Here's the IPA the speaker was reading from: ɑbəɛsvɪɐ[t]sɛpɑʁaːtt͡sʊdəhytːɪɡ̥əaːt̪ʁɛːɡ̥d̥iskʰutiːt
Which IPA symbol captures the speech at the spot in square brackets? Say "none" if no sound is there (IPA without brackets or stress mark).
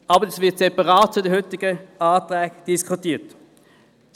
t